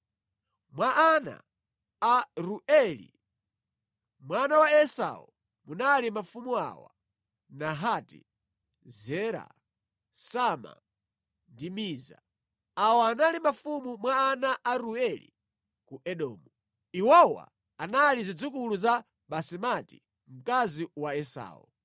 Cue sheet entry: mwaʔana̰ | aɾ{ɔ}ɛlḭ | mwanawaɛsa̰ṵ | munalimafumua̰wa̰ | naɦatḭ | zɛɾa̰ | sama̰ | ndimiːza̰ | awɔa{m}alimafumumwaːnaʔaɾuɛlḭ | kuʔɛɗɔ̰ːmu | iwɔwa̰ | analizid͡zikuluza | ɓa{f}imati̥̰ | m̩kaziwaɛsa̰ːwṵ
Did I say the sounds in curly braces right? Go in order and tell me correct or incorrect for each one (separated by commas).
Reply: incorrect, incorrect, incorrect